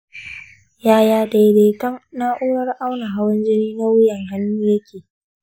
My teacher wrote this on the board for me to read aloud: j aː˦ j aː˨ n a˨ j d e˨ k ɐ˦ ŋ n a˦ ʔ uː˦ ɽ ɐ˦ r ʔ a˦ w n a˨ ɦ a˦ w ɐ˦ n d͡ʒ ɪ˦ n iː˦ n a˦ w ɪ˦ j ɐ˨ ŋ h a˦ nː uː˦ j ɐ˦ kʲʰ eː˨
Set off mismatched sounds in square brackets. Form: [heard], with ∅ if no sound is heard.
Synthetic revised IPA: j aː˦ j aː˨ [d] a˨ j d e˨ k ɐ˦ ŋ n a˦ ʔ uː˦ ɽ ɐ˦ r ʔ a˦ w n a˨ ɦ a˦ w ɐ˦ n d͡ʒ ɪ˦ n iː˦ n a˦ w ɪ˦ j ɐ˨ ŋ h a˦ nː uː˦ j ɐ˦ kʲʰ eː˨